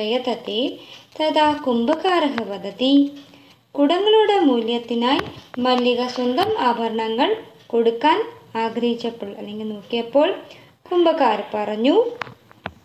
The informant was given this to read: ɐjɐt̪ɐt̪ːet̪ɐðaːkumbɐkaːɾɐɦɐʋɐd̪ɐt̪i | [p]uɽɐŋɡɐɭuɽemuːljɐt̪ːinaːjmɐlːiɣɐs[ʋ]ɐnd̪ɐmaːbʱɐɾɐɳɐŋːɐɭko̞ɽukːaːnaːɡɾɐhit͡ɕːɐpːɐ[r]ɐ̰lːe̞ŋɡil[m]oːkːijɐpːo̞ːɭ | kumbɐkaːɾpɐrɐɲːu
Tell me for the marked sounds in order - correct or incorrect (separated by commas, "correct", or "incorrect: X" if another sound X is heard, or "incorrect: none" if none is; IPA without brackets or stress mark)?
incorrect: k, incorrect: w, incorrect: ɭ, incorrect: n